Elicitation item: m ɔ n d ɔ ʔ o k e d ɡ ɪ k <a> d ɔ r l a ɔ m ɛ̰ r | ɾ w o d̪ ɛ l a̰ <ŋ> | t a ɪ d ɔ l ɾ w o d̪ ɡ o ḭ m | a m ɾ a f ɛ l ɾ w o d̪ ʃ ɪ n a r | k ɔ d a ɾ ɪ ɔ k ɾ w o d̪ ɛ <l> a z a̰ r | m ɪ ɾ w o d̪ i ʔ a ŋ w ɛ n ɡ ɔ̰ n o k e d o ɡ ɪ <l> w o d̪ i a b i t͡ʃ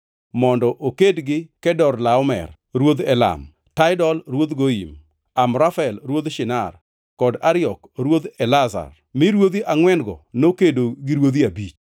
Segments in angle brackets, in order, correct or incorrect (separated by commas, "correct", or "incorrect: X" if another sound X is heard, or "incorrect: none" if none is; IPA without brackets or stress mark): incorrect: ɛ, incorrect: m, correct, incorrect: ɾ